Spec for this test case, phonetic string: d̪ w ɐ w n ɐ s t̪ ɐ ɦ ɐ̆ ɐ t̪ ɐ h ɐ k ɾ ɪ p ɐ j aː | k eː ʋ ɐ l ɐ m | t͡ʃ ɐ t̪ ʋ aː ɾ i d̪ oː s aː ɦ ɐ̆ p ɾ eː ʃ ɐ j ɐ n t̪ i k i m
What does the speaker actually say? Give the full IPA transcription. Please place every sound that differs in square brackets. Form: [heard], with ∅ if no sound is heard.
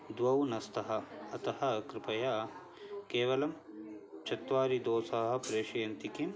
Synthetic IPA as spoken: d̪ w ɐ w n ɐ s t̪ ɐ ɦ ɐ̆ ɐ t̪ ɐ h ɐ k ɾ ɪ p ɐ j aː | k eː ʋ ɐ l ɐ m | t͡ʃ ɐ t̪ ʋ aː ɾ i d̪ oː s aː ɦ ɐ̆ p ɾ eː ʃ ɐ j ɐ n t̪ i k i m